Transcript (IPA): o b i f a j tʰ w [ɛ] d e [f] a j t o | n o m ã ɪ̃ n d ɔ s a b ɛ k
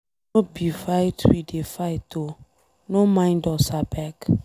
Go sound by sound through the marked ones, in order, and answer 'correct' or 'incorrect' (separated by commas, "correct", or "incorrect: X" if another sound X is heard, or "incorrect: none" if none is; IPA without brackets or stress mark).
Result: incorrect: i, correct